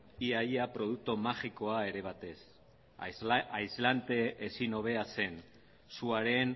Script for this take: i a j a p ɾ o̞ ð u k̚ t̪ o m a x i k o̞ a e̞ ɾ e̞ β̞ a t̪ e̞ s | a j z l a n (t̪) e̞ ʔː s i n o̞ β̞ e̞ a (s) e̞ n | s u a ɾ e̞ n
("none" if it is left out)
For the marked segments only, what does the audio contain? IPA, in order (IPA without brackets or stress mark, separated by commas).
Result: t̪, s